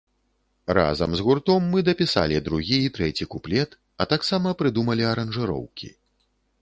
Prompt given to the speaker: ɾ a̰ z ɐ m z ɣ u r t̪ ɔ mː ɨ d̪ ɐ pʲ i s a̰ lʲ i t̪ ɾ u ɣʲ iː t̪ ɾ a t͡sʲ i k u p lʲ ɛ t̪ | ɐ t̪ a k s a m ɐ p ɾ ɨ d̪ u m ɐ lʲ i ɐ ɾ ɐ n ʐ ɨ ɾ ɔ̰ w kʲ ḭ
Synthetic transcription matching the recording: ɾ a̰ z ɐ m z ɣ u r t̪ ɔ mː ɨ d̪ ɐ pʲ i s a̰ lʲ i d̪ ɾ u ɣʲ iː t̪ ɾ ɛ t͡sʲ i k u p lʲ ɛ t̪ | ɐ t̪ a k s a m ɐ p ɾ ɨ d̪ u m ɐ lʲ i ɐ ɾ ɐ n ʐ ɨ ɾ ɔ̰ w kʲ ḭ